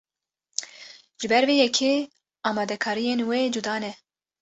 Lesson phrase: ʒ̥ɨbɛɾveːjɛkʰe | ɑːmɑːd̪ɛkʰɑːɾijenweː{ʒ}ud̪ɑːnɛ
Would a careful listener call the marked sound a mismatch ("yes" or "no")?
yes